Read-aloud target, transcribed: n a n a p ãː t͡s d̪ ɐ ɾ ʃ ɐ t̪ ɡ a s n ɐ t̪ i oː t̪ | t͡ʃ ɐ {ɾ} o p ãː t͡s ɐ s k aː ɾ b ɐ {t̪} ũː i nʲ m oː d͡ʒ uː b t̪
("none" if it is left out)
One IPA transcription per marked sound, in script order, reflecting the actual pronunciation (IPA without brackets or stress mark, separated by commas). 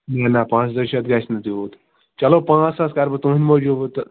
l, t̪